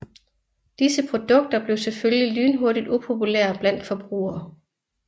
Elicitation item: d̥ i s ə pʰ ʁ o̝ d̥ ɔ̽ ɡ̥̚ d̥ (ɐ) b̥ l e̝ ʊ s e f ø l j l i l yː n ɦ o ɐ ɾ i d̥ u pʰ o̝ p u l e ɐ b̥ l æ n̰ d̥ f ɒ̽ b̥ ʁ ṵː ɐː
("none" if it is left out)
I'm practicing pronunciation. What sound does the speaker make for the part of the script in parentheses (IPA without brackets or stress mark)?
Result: ɐ